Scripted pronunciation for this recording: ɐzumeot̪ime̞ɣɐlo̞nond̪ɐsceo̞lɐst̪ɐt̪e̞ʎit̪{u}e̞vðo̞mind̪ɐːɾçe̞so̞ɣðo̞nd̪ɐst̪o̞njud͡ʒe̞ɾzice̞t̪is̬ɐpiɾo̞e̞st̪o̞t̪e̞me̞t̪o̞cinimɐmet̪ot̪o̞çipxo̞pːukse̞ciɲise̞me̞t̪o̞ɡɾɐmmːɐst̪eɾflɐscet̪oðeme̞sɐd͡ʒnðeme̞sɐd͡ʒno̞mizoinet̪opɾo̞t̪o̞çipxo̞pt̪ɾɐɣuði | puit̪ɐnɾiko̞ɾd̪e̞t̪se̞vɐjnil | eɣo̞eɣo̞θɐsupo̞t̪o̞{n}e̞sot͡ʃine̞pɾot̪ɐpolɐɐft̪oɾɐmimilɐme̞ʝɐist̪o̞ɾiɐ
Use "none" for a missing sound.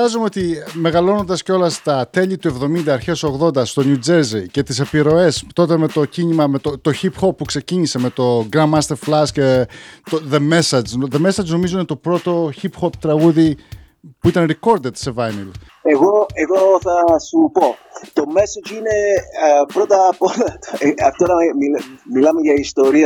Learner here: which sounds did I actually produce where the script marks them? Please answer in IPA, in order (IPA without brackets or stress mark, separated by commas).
u, m